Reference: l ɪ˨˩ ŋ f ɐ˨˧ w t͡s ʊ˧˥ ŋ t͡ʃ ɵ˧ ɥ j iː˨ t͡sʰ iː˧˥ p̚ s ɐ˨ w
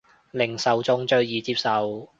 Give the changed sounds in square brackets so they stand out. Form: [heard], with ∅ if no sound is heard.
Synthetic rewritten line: l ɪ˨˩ ŋ [s] ɐ˨˧ w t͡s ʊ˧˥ ŋ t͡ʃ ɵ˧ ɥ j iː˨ [t͡s] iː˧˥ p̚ s ɐ˨ w